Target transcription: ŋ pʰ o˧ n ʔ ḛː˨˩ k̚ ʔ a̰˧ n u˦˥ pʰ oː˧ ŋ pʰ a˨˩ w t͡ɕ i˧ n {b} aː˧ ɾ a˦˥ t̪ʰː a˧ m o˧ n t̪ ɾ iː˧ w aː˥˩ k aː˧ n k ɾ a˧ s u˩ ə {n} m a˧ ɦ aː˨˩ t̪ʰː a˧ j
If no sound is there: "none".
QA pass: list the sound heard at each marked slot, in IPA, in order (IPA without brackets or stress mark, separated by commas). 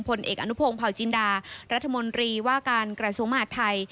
d, ŋ